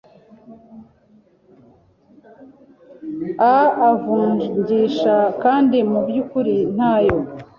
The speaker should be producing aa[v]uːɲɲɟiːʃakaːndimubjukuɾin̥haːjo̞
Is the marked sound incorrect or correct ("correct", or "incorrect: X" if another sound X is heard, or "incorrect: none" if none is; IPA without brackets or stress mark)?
correct